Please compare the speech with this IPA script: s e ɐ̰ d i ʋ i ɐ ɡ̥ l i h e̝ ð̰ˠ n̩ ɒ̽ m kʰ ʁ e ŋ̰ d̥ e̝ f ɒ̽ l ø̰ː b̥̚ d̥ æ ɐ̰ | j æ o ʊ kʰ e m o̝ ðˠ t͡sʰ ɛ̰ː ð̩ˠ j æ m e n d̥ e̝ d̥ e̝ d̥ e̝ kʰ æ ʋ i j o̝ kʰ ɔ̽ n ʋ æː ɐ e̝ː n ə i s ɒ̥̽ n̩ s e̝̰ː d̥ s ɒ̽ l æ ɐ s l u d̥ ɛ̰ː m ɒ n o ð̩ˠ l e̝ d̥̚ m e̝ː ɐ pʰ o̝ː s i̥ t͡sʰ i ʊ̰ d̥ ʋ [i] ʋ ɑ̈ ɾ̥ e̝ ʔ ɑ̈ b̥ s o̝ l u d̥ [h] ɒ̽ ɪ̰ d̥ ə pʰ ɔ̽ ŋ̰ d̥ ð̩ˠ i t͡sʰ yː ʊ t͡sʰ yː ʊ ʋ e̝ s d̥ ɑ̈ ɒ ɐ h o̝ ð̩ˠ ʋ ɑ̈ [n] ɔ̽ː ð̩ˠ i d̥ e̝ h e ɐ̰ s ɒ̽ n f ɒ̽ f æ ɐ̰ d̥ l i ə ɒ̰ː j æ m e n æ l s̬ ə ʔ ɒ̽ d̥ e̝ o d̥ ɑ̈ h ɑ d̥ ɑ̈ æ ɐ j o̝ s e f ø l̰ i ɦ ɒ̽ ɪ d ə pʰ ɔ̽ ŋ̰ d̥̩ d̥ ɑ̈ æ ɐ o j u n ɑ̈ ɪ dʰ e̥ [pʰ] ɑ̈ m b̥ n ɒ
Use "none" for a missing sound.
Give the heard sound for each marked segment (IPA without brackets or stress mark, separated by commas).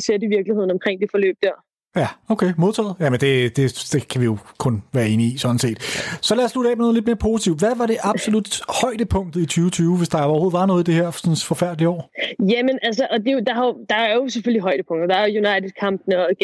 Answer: æ, h, n, kʰ